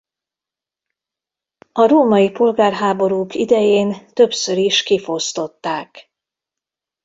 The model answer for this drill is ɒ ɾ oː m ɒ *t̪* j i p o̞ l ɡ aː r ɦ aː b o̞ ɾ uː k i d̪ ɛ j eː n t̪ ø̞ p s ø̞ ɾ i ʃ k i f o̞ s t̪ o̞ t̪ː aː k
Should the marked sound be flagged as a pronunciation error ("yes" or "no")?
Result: yes